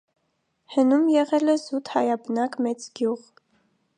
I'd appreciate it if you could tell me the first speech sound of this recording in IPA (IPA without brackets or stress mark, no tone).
h